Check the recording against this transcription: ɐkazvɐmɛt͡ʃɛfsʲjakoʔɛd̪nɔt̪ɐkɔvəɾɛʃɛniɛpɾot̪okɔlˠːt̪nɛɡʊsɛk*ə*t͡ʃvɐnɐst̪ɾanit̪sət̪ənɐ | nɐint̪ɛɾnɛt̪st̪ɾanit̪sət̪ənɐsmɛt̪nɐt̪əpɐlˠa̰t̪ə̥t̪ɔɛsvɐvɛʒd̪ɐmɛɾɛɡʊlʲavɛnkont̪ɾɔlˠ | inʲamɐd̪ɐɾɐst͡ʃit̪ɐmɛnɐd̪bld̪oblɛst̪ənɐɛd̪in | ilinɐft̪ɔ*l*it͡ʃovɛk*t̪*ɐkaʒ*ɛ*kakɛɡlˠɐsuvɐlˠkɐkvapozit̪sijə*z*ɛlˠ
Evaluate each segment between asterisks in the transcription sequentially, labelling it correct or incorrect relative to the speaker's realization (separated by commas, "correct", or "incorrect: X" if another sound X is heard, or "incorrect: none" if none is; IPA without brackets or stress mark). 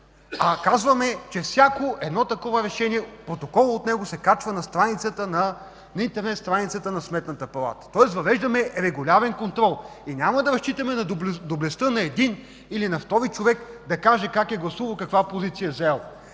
incorrect: a, incorrect: ɾ, incorrect: d̪, correct, correct